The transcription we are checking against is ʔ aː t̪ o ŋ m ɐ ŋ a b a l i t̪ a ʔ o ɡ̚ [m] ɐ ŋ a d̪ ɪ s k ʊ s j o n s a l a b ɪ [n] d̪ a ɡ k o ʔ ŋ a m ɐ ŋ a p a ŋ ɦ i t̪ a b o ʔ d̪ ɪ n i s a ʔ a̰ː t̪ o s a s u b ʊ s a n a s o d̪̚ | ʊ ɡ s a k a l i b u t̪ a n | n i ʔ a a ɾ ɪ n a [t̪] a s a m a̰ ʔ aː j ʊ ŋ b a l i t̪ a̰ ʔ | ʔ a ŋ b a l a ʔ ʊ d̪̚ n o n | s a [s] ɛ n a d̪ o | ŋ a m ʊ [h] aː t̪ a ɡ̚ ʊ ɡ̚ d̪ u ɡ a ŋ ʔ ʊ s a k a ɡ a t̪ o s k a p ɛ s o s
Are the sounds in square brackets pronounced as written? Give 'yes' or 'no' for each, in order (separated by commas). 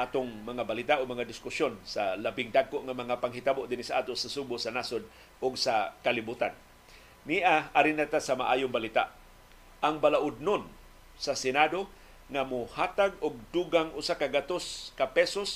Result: yes, no, yes, yes, yes